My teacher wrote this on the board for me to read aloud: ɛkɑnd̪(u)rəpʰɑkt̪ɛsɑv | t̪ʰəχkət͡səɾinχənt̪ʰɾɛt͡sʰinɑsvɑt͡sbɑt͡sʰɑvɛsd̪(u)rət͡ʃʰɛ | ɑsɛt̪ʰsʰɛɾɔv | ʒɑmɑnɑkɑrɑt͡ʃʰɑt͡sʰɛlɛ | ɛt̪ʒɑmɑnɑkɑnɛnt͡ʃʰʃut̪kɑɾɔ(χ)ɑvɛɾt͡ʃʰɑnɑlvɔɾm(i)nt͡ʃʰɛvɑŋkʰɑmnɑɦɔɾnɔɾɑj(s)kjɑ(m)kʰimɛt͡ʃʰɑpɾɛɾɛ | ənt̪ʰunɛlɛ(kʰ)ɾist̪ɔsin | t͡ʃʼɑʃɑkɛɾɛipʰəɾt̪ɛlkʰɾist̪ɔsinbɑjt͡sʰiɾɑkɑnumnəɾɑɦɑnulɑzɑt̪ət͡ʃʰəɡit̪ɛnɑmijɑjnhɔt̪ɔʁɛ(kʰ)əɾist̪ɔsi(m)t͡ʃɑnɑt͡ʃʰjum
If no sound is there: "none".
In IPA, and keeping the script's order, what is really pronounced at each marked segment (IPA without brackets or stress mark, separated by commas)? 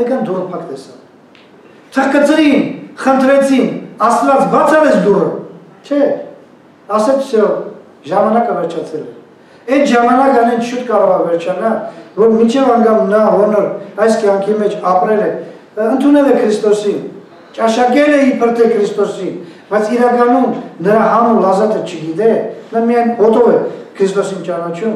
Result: u, u, ʁ, i, s, ŋ, kʰ, kʰ, n